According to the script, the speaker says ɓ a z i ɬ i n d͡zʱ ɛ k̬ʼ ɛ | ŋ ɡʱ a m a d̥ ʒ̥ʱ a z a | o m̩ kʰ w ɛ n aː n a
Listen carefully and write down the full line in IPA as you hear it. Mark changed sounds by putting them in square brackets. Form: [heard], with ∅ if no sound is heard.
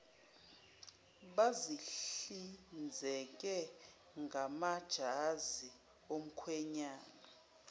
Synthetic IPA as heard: ɓ a z i ɬ i n d͡zʱ ɛ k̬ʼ ɛ | ŋ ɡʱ a m a d̥ ʒ̥ʱ a z [i] | o m̩ kʰ w ɛ [ɲ] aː n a